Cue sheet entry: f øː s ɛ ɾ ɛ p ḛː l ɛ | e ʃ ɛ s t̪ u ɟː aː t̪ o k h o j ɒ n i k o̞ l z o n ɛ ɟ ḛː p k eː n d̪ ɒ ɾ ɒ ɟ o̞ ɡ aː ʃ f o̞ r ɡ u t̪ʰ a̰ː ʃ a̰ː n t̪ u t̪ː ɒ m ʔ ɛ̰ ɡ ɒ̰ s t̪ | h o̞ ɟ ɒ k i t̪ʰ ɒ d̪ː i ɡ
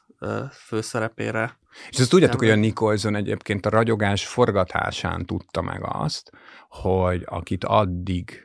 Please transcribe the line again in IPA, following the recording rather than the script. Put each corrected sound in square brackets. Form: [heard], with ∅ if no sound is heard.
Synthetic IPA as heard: f øː s ɛ ɾ ɛ p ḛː [ɾ] ɛ | e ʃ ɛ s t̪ u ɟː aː t̪ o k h o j ɒ n i k o̞ l z o n ɛ ɟ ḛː p k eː n [t̪] ɒ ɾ ɒ ɟ o̞ ɡ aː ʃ f o̞ r ɡ [ɒ] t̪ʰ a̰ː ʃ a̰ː n t̪ u t̪ː ɒ m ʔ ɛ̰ ɡ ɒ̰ s t̪ | h o̞ ɟ ɒ k i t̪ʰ ɒ d̪ː i ɡ